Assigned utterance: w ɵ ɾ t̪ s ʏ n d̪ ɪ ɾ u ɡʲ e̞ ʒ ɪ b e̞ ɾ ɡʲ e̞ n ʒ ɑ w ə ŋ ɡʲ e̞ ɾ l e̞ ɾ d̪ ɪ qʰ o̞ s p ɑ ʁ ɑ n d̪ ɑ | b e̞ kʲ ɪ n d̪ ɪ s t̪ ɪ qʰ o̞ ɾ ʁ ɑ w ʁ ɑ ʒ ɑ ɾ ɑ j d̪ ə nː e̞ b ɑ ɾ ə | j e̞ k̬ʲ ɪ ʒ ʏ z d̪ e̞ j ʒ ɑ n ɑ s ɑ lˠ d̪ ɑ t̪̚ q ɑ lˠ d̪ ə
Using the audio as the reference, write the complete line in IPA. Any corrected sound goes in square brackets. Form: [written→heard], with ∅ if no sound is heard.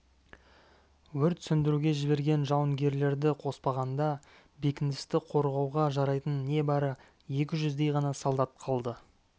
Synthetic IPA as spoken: w ɵ ɾ t̪ s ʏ n d̪ ɪ ɾ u ɡʲ e̞ ʒ ɪ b e̞ ɾ ɡʲ e̞ n ʒ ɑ w ə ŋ ɡʲ e̞ ɾ l e̞ ɾ d̪ ɪ qʰ o̞ s p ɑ ʁ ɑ n d̪ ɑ | b e̞ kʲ ɪ n d̪ ɪ s t̪ ɪ qʰ o̞ ɾ ʁ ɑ w ʁ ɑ ʒ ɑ ɾ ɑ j [d̪→t̪] ə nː e̞ b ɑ ɾ ə | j e̞ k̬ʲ ɪ ʒ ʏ z d̪ e̞ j [ʒ→ʁ] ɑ n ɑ s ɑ lˠ d̪ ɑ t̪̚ [q→qʰ] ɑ lˠ d̪ ə